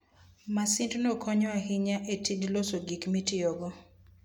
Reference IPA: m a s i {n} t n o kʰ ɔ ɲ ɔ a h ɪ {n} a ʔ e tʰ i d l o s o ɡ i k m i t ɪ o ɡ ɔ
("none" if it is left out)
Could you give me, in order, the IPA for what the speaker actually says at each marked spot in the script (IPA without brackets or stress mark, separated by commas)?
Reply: n, ɲ